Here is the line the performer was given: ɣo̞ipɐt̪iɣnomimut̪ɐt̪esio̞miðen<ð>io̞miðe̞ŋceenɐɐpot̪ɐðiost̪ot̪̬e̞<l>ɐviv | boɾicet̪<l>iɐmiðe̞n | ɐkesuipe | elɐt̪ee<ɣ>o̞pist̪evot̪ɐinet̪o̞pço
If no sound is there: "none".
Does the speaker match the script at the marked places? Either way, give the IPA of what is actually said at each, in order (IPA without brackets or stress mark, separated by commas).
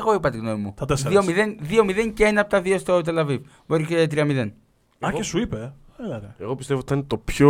ð, l, ɾ, ɣ